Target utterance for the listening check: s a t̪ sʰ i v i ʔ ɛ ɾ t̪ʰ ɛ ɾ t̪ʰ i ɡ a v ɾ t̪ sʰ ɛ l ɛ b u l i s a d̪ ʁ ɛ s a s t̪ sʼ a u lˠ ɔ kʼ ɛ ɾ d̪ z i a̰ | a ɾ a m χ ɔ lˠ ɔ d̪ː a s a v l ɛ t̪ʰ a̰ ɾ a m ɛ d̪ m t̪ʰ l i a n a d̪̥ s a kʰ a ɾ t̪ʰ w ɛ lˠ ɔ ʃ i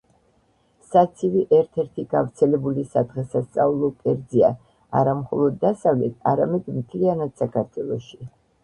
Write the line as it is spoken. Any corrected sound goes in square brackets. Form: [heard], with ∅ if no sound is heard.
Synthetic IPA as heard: s a t̪ sʰ i v i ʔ ɛ ɾ t̪ʰ ɛ ɾ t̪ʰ i ɡ a v ɾ t̪ sʰ ɛ l ɛ b u l i s a d̪ ʁ ɛ s a s t̪ sʼ a u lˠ ɔ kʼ ɛ ɾ d̪ z i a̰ | a ɾ a m χ ɔ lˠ ɔ d̪ː a s a v l ɛ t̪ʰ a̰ ɾ a m ɛ d̪ m t̪ʰ l i a n a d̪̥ s a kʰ a ɾ t̪ʰ w ɛ lˠ ɔ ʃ i